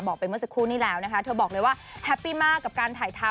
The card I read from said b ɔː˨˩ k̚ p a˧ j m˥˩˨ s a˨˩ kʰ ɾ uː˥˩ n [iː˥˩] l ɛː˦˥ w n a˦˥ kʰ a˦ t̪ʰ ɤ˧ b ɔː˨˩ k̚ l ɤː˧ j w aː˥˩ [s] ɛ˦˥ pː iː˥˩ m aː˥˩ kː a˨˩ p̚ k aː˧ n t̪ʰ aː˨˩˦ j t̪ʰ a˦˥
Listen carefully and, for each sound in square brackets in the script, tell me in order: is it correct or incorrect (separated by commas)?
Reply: correct, incorrect